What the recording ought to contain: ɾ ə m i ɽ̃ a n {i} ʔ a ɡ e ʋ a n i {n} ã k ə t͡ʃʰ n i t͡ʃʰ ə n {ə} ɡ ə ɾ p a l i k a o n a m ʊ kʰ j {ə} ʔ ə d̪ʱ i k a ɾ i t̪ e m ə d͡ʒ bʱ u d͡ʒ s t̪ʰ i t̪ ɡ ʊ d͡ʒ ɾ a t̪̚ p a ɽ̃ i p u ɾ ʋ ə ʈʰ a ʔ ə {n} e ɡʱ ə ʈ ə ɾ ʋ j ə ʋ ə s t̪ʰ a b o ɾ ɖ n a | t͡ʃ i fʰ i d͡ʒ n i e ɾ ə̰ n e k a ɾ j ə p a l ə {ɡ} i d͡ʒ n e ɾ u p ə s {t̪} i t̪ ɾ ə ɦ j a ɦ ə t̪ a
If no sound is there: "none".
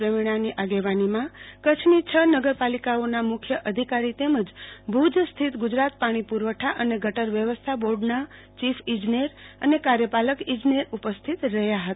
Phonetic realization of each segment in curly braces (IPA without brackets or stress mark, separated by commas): i, m, ə, ə, n, k, t̪ʰ